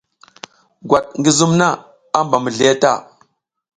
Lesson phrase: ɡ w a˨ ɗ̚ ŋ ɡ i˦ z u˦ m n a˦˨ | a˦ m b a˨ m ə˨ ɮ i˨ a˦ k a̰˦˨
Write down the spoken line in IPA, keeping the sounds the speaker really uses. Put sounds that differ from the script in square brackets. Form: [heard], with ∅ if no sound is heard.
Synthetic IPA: ɡ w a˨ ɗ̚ ŋ ɡ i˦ z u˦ m n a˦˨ | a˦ m b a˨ m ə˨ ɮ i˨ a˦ [t] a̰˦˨